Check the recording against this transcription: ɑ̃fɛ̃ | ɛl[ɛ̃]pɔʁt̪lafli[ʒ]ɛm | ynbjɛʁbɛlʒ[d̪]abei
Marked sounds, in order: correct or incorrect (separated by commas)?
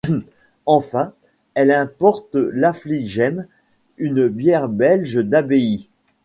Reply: correct, correct, correct